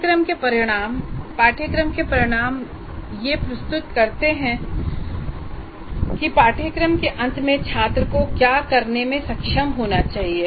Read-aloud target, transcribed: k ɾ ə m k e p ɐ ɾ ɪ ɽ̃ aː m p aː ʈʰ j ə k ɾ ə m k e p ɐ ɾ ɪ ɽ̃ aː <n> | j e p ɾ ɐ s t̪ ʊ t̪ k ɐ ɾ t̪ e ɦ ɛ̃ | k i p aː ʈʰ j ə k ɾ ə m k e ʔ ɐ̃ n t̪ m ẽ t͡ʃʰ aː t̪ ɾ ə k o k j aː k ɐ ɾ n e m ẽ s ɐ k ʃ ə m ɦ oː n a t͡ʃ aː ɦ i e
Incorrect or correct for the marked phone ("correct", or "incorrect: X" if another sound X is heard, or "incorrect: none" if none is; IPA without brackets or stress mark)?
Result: incorrect: m